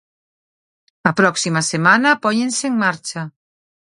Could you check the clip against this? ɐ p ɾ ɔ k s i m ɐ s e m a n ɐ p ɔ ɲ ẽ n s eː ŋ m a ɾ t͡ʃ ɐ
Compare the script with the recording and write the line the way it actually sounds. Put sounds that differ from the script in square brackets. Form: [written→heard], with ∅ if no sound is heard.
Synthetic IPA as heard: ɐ p ɾ ɔ k s i m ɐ s e m a n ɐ p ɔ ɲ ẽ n s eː ŋ m a ɾ t͡ʃ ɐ